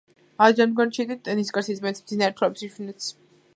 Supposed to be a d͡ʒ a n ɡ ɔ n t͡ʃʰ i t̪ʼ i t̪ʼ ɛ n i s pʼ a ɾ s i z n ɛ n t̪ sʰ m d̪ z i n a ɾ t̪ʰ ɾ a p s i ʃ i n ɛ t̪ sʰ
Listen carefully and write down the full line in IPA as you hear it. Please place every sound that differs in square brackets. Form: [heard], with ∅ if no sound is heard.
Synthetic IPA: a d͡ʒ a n ɡ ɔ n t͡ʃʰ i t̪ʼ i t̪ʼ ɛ n i s [kʼ] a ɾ s i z [m] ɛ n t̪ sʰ m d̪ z i n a ɾ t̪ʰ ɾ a p s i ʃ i n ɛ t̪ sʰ